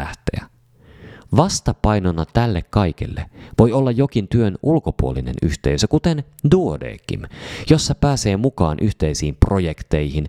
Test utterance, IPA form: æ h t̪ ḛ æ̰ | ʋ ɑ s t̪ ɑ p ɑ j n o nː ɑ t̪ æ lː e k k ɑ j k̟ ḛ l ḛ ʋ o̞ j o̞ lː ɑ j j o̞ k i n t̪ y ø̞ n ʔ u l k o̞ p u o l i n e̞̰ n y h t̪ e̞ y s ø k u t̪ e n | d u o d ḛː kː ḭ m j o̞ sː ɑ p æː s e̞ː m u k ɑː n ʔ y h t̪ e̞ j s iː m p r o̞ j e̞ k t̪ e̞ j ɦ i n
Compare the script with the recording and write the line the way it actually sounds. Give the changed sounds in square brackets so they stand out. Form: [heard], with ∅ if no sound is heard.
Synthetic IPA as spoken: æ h t̪ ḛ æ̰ | ʋ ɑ s t̪ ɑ p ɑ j n o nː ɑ t̪ æ lː e k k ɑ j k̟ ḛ [lː] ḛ ʋ o̞ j o̞ lː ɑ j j o̞ k i n t̪ y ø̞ n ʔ u l k o̞ p u o l i n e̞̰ n y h t̪ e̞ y s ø k u t̪ e n | d u o d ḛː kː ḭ m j o̞ sː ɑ p æː s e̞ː m u k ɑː n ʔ y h t̪ e̞ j s iː m p r o̞ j e̞ k t̪ e̞ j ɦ i n